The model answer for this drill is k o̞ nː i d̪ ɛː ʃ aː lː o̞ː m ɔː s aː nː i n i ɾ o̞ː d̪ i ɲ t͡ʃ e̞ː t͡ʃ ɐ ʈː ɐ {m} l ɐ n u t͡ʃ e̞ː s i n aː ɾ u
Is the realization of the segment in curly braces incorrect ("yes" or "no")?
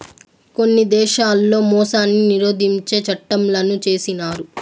no